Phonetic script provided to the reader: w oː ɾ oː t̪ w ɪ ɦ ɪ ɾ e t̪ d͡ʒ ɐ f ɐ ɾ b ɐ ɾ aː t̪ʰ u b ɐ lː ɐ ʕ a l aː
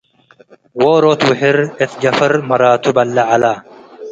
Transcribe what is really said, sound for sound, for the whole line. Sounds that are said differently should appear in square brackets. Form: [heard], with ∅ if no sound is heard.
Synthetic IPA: w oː ɾ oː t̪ w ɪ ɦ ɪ ɾ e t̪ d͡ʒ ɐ f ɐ ɾ [m] ɐ ɾ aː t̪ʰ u b ɐ lː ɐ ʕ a l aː

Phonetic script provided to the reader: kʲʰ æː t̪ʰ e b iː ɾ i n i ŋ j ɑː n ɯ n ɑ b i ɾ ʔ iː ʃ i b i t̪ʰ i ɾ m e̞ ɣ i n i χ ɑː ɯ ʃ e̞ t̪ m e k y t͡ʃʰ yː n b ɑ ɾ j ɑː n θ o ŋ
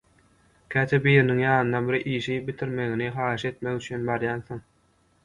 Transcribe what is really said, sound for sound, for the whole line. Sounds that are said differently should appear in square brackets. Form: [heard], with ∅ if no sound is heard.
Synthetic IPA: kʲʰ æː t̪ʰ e b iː ɾ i n i ŋ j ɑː n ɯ n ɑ b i ɾ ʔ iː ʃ i b i t̪ʰ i ɾ m e̞ ɣ i n i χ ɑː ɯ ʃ e̞ t̪ m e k y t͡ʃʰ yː n b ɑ ɾ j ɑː n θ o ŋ

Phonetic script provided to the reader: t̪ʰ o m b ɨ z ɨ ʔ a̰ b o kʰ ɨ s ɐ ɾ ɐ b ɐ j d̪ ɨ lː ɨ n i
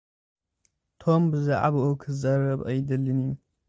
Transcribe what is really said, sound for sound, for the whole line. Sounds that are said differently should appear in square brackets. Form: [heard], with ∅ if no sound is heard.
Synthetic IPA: t̪ʰ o m b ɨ z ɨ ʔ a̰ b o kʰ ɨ [z] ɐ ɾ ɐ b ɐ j d̪ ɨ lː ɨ n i

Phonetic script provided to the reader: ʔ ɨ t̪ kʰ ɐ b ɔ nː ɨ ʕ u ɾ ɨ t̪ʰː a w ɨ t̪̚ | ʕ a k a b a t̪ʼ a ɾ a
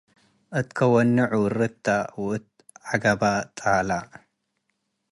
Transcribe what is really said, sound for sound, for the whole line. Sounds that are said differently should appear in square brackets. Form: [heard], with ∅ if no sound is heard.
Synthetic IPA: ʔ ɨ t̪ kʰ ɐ [w] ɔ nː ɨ ʕ u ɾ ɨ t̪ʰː a w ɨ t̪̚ | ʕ a [ɡ] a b a t̪ʼ a [l] a

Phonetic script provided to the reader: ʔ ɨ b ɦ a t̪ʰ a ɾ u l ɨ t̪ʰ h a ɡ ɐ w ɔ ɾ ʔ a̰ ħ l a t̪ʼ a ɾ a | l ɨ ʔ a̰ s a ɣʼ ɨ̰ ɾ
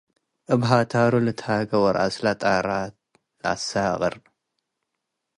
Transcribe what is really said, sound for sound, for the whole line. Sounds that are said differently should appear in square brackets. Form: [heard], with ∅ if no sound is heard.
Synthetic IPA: ʔ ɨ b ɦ a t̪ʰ a ɾ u l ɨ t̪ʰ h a ɡ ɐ w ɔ ɾ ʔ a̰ [s] l a t̪ʼ a ɾ a | l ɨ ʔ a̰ s a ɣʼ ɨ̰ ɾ

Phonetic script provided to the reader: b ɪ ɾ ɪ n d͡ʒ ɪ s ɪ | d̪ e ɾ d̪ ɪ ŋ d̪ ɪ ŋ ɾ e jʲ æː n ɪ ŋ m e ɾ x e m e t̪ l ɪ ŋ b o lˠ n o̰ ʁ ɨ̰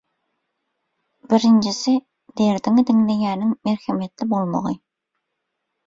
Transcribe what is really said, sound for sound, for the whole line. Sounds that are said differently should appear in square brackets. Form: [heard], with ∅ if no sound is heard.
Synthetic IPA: b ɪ ɾ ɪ n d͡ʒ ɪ s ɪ | d̪ e ɾ d̪ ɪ ŋ d̪ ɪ ŋ [l] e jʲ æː n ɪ ŋ m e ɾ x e m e t̪ l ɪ [∅] b o lˠ [m] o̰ ʁ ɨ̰

